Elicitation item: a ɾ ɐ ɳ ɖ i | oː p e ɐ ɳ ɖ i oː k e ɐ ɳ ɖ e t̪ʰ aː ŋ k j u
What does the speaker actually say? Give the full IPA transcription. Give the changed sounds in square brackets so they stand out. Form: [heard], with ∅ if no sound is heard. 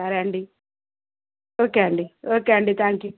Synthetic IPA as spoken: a ɾ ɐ ɳ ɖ i | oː [k] e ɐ ɳ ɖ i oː k e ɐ ɳ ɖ [i] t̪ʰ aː ŋ k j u